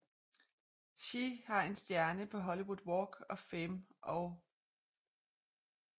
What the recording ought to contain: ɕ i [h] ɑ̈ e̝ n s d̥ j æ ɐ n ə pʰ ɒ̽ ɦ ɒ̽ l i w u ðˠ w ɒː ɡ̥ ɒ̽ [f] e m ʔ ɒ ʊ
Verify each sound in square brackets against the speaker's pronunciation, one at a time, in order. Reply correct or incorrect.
correct, correct

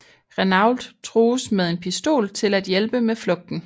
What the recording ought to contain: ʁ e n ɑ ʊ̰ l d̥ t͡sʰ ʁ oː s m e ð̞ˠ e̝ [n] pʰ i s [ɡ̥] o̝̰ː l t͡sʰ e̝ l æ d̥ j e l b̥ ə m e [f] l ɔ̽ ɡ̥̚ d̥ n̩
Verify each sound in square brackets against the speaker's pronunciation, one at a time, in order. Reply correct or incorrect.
correct, incorrect: d̥, correct

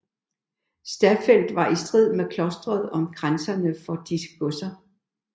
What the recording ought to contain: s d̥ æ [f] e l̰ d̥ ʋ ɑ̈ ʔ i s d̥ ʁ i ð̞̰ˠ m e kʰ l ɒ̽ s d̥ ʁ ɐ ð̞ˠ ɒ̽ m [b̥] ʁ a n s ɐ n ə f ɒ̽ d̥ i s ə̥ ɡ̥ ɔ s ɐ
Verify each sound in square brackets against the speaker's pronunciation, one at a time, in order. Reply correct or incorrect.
correct, incorrect: ɡ̥

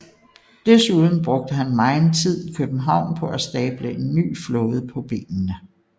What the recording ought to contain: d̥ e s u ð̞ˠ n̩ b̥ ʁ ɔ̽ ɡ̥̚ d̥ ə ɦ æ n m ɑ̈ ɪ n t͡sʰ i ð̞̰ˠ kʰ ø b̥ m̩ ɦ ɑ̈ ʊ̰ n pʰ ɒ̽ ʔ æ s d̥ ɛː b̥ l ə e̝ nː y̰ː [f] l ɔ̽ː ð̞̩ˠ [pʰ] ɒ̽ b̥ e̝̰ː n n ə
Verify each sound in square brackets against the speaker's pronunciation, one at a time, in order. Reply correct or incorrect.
correct, correct

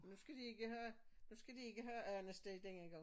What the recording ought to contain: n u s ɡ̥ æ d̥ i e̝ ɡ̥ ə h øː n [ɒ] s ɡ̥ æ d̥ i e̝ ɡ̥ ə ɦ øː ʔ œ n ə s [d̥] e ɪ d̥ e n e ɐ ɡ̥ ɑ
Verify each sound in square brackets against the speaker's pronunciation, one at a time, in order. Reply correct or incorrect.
incorrect: u, correct

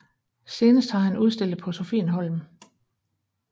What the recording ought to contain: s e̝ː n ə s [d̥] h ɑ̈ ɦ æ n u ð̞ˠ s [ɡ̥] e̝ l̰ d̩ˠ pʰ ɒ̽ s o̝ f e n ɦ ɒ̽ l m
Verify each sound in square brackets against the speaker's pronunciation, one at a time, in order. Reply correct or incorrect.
correct, incorrect: d̥

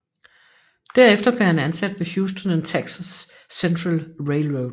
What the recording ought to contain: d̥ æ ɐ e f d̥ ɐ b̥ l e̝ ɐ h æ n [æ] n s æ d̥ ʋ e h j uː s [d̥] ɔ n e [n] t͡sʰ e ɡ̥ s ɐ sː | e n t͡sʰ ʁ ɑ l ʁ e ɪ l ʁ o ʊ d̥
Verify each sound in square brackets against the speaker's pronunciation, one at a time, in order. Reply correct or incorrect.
correct, correct, correct

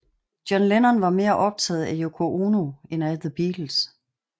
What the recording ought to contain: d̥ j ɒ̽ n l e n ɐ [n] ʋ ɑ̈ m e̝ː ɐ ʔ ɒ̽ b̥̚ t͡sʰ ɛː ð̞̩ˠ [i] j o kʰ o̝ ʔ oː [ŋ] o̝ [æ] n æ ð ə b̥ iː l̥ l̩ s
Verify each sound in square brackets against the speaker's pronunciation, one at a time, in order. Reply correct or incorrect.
correct, incorrect: æ, incorrect: n, incorrect: e

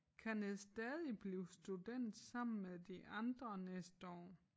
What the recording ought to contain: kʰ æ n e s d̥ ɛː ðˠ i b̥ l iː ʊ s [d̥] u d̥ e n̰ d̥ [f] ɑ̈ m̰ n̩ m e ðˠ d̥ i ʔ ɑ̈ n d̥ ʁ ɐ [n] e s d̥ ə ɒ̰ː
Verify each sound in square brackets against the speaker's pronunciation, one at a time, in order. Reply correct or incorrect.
correct, incorrect: s, correct

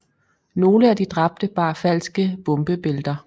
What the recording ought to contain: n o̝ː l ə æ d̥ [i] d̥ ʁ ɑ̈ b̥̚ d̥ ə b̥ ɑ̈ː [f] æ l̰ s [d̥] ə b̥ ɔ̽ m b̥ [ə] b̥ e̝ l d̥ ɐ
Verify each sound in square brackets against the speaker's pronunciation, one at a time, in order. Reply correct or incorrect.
correct, correct, incorrect: ɡ̥, correct

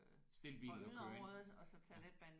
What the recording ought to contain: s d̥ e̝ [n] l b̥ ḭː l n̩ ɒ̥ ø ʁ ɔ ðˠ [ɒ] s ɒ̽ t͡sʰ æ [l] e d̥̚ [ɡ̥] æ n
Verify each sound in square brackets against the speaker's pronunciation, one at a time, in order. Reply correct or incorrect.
incorrect: none, correct, correct, incorrect: b̥

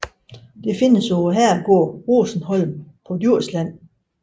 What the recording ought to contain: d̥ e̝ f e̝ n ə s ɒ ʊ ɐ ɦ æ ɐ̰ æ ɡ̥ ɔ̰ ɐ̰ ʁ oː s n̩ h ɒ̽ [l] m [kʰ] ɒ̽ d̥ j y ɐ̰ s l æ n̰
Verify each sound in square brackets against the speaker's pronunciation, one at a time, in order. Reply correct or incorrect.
correct, incorrect: pʰ

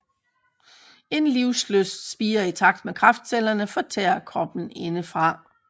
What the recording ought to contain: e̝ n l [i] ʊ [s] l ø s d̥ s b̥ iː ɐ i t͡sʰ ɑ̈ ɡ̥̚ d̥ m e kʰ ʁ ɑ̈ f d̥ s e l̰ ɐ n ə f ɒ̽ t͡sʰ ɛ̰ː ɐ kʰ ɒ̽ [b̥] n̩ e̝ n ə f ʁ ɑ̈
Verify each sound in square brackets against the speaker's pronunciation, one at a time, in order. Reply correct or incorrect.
correct, correct, correct

